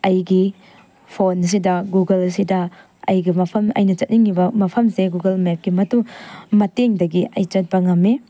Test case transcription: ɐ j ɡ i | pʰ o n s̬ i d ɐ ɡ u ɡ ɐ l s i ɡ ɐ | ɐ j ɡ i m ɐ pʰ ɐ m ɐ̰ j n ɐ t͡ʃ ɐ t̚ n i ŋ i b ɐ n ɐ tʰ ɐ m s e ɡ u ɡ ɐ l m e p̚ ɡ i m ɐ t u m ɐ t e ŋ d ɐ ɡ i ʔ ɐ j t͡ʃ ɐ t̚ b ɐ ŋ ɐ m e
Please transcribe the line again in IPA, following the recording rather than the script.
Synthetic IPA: ɐ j ɡ i | pʰ o n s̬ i d ɐ ɡ u ɡ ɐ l s i d ɐ | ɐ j ɡ i m ɐ pʰ ɐ m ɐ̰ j n ɐ t͡ʃ ɐ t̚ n i ŋ i b ɐ m ɐ pʰ ɐ m s e ɡ u ɡ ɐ l m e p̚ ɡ i m ɐ t u m ɐ t e ŋ d ɐ ɡ i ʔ ɐ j t͡ʃ ɐ t̚ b ɐ ŋ ɐ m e